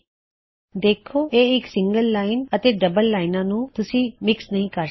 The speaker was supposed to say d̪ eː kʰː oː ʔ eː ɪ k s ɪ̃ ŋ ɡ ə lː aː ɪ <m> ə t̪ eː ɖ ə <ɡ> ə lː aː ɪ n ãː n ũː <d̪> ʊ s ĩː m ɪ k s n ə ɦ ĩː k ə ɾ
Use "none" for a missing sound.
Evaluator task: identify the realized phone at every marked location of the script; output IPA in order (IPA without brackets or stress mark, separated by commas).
n, b, t̪